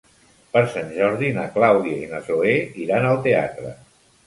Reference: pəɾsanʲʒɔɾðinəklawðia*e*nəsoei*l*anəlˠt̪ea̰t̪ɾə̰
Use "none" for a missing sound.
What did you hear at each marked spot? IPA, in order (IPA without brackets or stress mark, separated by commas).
i, ɾ